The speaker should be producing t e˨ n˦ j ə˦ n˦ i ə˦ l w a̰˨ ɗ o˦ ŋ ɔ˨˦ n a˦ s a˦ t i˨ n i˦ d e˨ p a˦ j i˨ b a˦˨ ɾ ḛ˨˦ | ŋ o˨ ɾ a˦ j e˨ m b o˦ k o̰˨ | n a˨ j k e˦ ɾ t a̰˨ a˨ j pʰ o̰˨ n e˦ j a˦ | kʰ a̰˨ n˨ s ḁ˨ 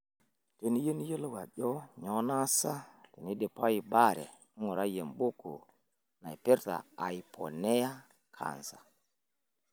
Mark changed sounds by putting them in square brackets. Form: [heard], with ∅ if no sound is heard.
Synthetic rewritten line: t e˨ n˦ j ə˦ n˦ [j] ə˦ l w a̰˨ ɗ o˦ [ɲ] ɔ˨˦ n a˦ s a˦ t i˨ n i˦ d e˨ p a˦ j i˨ b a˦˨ ɾ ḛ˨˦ | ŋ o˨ ɾ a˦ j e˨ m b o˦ k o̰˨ | n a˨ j [p] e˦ ɾ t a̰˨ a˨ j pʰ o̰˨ n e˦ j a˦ | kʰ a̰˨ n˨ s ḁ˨